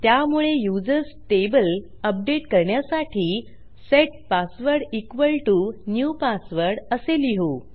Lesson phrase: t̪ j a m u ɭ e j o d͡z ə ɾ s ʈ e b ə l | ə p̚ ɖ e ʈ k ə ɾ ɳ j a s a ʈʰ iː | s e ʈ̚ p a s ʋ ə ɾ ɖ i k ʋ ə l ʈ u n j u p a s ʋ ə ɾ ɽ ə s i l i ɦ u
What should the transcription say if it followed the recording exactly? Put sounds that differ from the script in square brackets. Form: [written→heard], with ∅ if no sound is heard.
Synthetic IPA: t̪ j a m u ɭ e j [o→u] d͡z ə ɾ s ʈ e b ə l | ə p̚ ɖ e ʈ k ə ɾ ɳ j a s a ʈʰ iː | s e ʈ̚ p a s ʋ ə ɾ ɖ i k ʋ ə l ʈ u n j u p a s ʋ ə ɾ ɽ ə s [i→e] l i ɦ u